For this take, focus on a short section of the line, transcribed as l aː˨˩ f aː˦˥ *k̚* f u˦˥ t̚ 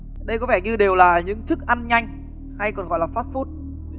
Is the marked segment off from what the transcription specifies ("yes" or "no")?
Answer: yes